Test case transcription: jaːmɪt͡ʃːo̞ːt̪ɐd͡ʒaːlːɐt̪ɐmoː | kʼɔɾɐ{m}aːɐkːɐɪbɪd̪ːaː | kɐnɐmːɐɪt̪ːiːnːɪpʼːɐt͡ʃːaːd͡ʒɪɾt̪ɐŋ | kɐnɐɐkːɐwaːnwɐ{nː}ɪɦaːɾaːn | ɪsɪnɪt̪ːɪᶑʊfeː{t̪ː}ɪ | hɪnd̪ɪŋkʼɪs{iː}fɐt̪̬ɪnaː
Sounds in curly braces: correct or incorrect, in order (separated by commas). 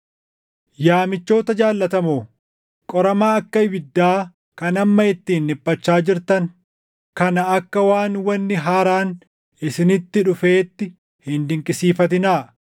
correct, correct, correct, correct